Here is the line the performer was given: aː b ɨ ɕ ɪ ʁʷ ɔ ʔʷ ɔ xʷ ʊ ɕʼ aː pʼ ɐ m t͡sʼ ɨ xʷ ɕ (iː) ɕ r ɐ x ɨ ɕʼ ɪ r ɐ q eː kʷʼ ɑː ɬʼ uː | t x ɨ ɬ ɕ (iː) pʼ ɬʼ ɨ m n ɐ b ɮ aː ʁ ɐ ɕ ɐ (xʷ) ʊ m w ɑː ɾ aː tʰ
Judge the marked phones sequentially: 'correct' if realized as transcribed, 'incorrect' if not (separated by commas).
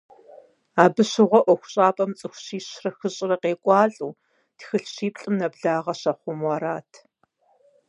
correct, correct, incorrect